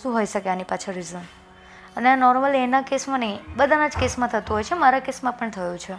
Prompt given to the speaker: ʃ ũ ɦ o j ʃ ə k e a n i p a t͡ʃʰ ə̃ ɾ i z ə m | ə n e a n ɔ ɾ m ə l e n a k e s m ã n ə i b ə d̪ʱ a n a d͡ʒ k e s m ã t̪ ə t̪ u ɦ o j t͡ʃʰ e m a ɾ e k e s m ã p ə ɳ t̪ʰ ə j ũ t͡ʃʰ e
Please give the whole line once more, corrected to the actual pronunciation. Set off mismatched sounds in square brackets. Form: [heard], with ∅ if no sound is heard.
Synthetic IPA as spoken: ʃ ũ ɦ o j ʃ ə k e a n i p a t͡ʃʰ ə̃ ɾ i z ə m | ə n e a n ɔ ɾ m ə l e n a k e s m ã n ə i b ə d̪ʱ a n a d͡ʒ k e s m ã [t̪ʰ] ə t̪ u ɦ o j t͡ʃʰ e m a ɾ [a] k e s m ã p ə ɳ t̪ʰ ə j ũ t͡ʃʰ e